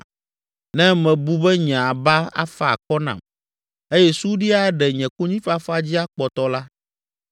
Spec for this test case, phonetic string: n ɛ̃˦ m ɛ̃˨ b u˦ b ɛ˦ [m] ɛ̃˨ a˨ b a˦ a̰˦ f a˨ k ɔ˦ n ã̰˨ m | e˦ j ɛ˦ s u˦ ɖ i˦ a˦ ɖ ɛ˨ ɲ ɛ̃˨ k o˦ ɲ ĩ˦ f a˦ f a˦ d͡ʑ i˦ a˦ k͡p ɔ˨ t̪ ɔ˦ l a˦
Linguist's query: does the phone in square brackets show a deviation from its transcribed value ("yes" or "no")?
yes